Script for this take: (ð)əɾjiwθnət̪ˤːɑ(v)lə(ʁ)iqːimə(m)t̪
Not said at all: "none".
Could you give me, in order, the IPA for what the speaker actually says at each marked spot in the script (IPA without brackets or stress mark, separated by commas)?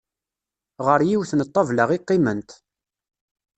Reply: ʁ, v, ʁ, n